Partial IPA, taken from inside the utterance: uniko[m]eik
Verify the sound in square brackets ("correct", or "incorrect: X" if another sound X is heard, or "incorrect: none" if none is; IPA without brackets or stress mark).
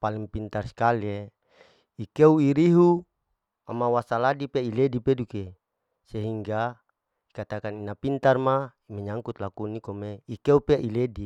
correct